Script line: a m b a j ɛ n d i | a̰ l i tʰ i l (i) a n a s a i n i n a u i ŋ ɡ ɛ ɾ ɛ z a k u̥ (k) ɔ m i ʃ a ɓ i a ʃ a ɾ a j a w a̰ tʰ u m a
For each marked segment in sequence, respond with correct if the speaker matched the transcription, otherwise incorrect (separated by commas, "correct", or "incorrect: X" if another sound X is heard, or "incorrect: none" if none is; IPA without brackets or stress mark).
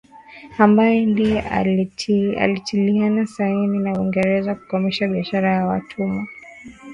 correct, correct